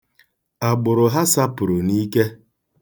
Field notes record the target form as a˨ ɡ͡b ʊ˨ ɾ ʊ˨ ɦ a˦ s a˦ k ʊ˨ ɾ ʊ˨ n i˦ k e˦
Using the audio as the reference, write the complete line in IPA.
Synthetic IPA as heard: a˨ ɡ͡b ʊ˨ ɾ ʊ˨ ɦ a˦ s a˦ p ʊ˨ ɾ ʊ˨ n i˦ k e˦